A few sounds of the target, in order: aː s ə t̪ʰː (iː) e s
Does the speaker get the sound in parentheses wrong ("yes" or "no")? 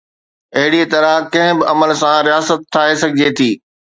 yes